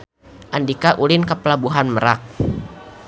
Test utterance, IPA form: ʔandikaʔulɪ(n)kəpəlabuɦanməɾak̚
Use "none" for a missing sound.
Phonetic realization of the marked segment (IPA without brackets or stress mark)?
n